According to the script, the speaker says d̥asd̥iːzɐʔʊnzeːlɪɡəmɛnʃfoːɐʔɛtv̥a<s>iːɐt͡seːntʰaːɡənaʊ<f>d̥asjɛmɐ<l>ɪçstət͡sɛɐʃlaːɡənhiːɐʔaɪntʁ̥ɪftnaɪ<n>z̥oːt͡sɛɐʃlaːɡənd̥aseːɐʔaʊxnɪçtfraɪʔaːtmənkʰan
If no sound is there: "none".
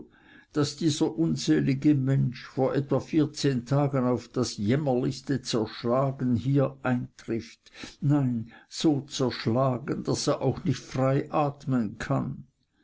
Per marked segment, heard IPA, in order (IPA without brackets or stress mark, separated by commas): f, f, l, n